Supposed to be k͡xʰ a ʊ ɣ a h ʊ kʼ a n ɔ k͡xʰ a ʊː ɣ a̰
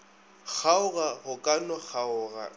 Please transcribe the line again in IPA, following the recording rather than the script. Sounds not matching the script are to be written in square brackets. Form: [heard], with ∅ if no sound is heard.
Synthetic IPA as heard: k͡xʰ a ʊ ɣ a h ʊ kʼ a n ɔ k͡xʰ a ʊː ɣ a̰